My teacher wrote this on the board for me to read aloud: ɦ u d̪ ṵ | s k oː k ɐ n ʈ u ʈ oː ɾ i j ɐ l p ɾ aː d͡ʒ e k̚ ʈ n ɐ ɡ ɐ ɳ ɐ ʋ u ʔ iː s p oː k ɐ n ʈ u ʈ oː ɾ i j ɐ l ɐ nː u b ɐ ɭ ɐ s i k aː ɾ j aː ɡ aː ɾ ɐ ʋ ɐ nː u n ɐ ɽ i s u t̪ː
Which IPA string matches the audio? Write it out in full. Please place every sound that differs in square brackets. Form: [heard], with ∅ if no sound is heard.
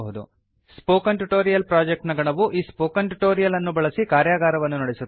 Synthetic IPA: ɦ u d̪ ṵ | s [p] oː k ɐ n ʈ u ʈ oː ɾ i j ɐ l p ɾ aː d͡ʒ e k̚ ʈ n ɐ ɡ ɐ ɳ ɐ ʋ u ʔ iː s p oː k ɐ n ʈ u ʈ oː ɾ i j ɐ l ɐ nː u b ɐ ɭ ɐ s i k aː ɾ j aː ɡ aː ɾ ɐ ʋ ɐ nː u n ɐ ɽ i s u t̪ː